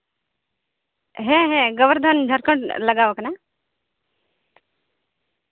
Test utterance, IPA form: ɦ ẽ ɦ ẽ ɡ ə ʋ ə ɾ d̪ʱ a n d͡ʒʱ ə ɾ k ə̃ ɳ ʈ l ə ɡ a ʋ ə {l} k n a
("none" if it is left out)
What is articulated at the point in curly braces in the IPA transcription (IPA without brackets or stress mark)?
none